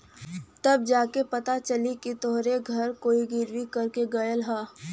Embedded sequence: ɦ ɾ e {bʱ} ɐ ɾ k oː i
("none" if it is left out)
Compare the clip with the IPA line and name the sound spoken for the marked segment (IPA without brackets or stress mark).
ɡʱ